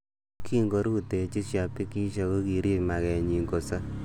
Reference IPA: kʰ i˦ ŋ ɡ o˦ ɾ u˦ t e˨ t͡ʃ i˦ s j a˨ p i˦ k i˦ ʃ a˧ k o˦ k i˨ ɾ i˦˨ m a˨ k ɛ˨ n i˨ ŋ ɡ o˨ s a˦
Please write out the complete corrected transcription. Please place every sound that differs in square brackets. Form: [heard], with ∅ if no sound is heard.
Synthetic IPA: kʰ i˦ ŋ ɡ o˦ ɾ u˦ t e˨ t͡ʃ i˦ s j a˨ p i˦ k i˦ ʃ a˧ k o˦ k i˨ ɾ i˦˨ m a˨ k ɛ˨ [ɲ] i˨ ŋ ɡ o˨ s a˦